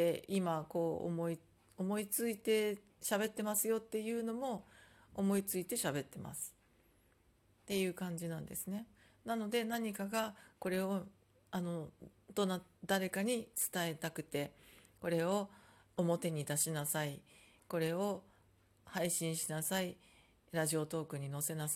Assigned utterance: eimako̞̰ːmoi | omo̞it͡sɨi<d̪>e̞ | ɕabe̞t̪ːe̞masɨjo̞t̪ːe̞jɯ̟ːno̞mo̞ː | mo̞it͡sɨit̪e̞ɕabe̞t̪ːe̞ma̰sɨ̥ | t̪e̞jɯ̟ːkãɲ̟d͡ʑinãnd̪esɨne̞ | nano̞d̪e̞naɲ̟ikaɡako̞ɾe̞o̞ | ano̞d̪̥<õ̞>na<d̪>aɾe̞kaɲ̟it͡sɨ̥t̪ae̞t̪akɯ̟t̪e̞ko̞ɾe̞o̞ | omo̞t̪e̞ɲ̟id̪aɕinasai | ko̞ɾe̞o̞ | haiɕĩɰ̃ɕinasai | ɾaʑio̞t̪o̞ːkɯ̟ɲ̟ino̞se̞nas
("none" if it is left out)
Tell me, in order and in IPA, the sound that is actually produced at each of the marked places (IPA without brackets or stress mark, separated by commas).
t̪, o̞, d̪